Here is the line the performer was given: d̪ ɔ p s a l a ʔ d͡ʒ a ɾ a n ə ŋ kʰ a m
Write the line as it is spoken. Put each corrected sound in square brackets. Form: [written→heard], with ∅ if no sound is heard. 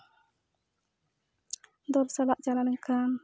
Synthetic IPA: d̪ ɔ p s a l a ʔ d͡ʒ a [ɾ→l] a n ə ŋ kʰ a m